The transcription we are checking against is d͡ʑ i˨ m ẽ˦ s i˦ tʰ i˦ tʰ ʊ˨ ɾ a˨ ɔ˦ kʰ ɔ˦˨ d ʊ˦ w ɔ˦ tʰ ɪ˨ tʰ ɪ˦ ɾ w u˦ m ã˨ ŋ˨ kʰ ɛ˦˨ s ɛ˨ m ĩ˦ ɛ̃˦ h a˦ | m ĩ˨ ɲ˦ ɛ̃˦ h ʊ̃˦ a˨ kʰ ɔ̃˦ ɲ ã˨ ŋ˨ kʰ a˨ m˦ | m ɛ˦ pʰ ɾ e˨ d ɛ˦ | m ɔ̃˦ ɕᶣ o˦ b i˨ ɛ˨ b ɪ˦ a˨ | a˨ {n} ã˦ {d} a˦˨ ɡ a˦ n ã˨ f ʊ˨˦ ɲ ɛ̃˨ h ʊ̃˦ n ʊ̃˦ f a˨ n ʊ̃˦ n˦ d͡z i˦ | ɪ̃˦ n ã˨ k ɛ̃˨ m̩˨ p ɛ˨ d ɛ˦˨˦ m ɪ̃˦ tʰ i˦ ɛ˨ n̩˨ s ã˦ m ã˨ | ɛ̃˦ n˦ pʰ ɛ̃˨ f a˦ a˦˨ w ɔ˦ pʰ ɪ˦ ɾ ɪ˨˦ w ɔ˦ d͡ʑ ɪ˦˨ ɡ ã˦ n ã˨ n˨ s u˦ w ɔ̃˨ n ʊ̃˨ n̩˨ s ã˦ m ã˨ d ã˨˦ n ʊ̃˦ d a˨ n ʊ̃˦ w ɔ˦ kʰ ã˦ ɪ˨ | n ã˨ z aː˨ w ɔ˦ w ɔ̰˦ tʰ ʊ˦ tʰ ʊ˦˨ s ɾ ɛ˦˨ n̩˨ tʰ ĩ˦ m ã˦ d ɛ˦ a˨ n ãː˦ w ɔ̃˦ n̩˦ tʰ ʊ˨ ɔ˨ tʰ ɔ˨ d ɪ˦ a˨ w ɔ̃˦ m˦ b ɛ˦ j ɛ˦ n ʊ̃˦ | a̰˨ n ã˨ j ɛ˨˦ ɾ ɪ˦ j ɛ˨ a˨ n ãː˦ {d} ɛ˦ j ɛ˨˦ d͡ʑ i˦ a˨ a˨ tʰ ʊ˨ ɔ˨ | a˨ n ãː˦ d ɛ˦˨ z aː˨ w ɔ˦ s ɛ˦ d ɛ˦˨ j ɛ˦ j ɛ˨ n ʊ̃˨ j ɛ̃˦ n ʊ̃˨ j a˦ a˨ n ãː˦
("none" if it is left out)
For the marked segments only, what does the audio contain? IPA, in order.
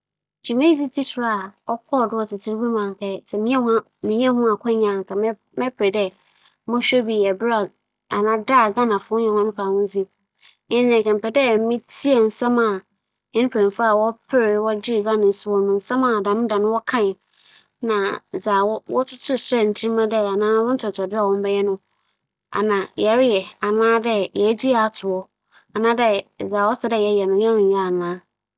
n, d, d

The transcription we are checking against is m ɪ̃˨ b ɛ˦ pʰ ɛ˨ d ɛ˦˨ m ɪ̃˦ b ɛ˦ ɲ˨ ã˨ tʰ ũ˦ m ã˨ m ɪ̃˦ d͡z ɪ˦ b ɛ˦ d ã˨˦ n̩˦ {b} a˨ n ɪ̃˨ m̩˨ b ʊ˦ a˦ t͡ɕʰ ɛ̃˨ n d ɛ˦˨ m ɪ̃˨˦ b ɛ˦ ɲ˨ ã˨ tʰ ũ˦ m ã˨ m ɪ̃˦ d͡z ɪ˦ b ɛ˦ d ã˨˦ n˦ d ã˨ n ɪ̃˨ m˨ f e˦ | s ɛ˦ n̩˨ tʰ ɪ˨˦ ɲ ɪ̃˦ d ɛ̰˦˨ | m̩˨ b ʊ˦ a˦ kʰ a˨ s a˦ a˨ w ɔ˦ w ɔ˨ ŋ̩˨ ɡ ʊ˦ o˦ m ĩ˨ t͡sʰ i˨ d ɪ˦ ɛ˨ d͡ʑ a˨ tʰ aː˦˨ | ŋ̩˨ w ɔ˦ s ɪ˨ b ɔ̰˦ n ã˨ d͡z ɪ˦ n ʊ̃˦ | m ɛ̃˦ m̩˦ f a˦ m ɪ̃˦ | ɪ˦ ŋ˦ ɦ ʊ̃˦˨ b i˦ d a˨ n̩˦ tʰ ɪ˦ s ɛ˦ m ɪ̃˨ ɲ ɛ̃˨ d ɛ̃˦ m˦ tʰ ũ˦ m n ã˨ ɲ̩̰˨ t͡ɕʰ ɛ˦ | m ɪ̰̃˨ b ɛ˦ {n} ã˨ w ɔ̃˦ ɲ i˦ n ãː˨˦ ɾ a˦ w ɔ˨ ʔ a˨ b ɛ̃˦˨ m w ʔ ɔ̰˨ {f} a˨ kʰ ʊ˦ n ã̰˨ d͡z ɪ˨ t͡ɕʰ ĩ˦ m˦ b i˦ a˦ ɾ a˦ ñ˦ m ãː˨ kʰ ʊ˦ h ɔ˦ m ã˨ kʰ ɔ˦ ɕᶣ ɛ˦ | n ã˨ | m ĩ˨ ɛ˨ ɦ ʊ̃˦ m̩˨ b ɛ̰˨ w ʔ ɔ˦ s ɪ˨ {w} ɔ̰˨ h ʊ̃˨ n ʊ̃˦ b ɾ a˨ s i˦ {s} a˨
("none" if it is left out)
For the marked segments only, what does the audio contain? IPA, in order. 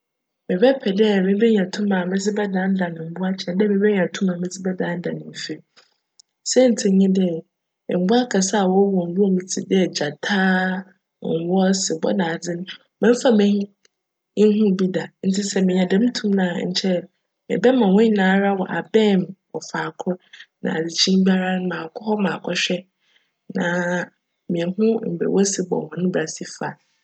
d, m, f, b, f

